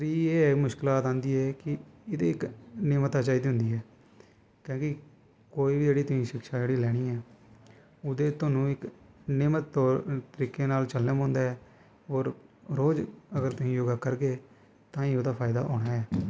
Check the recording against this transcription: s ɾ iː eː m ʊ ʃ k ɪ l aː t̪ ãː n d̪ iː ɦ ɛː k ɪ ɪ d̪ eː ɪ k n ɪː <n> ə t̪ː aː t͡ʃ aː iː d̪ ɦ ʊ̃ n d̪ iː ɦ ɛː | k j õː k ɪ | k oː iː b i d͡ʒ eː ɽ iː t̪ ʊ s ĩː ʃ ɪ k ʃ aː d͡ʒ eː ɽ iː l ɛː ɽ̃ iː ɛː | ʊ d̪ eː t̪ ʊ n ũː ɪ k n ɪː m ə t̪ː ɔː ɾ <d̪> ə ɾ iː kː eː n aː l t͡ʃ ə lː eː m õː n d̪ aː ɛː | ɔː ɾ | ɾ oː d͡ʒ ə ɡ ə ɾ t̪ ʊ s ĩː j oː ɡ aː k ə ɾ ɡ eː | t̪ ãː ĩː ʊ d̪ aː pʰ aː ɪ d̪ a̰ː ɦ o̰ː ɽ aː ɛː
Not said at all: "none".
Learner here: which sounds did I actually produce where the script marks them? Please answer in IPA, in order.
m, t̪

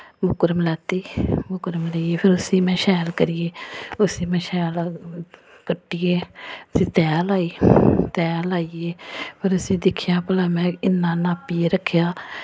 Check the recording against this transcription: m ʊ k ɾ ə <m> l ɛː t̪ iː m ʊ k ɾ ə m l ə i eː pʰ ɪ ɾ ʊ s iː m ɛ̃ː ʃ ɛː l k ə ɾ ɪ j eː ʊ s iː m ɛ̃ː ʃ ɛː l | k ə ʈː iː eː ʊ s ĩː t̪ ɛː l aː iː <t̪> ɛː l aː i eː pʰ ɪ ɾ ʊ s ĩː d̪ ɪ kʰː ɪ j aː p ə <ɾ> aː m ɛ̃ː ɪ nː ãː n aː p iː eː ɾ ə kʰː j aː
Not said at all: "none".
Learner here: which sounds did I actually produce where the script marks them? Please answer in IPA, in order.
m, t̪, l

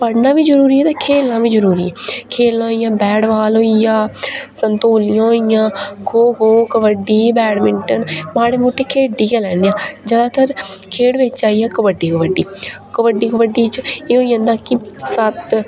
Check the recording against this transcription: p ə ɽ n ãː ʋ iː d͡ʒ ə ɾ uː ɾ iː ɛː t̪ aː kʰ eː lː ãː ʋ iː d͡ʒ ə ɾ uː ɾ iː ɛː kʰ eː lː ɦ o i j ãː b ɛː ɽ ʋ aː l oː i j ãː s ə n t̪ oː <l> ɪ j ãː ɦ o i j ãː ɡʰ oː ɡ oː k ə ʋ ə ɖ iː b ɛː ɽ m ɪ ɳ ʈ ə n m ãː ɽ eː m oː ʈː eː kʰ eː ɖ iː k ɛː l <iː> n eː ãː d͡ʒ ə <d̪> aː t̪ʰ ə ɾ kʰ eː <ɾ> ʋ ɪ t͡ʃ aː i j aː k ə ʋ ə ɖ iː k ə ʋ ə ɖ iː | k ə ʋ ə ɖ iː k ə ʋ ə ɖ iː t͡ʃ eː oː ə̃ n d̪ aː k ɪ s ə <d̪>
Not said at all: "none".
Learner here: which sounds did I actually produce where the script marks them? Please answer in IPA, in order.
l, ɛː, d̪, ɽ, t̪

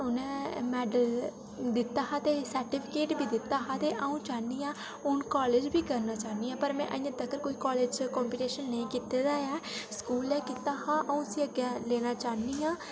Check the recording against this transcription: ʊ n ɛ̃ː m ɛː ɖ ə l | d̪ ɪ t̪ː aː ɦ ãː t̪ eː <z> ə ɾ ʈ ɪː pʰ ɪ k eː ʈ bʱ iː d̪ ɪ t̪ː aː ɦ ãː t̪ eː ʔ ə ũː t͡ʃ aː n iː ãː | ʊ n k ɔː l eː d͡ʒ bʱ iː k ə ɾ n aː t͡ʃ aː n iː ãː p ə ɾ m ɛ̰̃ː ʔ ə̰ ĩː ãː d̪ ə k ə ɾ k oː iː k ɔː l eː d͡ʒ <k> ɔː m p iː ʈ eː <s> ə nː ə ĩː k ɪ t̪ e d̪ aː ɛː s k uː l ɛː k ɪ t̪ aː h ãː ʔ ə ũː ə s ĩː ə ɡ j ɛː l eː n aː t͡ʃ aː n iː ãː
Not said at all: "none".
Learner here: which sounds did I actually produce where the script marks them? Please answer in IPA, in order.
s, k, ʃ

